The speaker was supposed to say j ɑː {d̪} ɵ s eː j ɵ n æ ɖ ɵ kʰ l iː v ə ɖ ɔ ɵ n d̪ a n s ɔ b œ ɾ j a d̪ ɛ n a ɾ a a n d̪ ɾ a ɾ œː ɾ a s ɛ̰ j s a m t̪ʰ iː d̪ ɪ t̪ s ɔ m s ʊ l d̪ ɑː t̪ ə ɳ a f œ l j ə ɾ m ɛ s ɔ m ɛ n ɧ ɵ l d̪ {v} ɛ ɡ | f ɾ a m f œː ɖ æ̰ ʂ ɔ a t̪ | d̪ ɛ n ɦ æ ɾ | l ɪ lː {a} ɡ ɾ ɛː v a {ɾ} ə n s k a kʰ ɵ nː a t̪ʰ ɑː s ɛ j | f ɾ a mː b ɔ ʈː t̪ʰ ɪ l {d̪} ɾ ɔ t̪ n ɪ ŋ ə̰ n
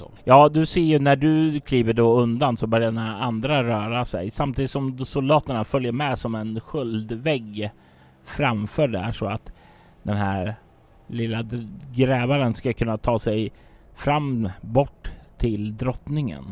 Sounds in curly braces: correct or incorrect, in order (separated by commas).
correct, correct, correct, correct, correct